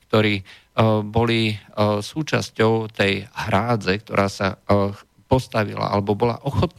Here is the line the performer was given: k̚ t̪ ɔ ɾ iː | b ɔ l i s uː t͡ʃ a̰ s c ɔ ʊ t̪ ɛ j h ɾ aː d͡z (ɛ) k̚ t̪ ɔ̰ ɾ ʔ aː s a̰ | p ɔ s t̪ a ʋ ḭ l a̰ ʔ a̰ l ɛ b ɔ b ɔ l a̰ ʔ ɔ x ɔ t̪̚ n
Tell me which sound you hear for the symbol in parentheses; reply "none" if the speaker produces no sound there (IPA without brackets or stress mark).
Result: ɛ